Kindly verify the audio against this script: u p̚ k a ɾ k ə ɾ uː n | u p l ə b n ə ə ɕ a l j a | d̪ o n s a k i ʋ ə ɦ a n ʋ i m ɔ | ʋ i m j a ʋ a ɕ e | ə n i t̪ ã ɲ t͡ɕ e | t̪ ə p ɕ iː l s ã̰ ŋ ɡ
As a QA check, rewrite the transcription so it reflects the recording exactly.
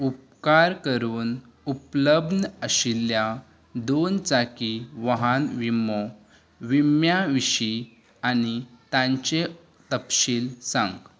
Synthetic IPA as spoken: u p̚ k a ɾ k ə ɾ uː n | u p l ə b n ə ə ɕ i l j a | d̪ o n t͡s a k i ʋ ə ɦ a n ʋ i m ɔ | ʋ i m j a ʋ i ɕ i | a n i t̪ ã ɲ t͡ɕ e | t̪ ə p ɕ iː l s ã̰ ŋ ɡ